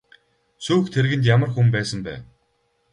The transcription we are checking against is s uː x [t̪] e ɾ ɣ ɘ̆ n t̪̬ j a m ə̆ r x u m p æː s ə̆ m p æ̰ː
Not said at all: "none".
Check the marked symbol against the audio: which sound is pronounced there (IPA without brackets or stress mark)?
t̪ʰ